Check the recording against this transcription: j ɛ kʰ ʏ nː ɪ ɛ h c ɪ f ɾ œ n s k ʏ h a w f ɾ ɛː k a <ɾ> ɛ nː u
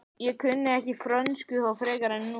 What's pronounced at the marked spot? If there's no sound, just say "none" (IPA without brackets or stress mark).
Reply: ɾ